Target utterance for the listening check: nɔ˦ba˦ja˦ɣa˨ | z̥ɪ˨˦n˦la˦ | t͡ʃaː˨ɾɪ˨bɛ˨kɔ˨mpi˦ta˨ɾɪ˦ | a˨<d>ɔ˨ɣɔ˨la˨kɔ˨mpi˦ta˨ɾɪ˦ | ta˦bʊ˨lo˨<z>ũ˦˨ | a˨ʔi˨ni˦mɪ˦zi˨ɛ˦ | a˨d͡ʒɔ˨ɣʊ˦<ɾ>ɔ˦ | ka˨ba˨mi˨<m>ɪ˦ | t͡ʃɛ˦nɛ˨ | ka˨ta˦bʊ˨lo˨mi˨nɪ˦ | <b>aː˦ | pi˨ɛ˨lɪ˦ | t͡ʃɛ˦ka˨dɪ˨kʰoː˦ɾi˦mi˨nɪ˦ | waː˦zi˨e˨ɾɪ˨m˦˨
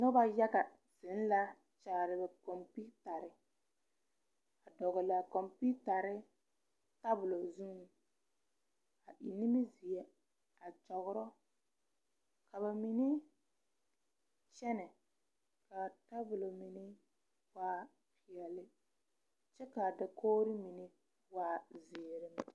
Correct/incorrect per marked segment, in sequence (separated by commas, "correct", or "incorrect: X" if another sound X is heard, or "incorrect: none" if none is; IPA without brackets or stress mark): correct, correct, correct, incorrect: n, incorrect: w